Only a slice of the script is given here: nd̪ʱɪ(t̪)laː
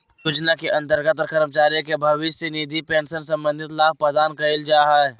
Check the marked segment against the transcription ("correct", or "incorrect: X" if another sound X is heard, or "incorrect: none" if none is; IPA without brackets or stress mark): correct